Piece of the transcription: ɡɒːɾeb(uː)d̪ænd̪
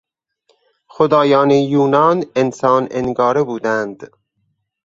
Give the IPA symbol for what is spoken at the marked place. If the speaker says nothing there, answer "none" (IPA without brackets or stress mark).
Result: uː